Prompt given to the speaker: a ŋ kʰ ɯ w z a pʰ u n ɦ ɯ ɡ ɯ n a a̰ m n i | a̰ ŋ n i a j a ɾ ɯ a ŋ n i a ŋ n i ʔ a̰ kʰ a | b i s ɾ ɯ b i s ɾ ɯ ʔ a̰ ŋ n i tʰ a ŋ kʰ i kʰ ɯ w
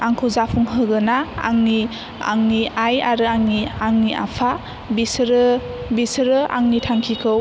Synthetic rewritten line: a ŋ kʰ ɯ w z a pʰ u ŋ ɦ ɯ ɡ ɯ n a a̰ ŋ n i | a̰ ŋ n i a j a ɾ ɯ a ŋ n i a ŋ n i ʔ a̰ pʰ a | b i s ɾ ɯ b i s ɾ ɯ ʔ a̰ ŋ n i tʰ a ŋ kʰ i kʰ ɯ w